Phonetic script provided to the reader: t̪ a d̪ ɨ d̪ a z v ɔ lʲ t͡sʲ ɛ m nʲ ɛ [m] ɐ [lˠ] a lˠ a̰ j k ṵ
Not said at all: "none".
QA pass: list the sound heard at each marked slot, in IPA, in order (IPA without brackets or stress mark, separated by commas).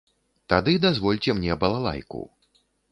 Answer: b, lˠ